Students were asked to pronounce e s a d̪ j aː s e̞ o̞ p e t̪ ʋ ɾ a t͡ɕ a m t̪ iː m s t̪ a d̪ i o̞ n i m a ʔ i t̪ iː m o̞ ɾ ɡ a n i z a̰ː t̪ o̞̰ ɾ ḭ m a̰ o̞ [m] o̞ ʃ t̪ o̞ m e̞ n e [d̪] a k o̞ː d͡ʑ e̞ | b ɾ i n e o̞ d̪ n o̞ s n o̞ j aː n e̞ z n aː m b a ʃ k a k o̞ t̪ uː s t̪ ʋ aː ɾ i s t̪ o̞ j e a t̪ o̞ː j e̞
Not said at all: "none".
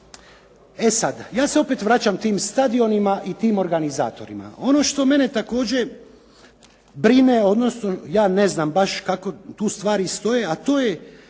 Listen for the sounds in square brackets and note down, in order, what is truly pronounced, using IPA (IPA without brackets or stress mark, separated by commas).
n, t̪